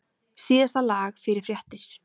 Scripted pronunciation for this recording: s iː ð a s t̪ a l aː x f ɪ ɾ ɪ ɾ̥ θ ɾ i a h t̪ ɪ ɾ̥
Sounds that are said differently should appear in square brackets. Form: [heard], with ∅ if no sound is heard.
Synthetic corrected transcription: s iː ð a s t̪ a l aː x f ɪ ɾ ɪ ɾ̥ [f] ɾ [j] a h t̪ ɪ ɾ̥